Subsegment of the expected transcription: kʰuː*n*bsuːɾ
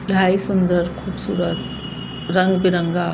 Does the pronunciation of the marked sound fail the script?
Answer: yes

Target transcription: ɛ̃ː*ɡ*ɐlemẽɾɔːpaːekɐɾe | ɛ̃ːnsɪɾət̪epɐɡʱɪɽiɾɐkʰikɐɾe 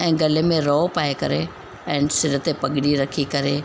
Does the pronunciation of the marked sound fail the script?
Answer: no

